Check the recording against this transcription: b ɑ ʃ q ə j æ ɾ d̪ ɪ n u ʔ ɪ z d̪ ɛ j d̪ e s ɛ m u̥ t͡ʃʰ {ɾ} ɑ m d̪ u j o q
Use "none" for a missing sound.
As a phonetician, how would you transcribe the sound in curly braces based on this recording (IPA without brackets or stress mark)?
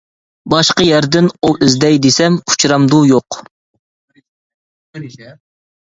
ɾ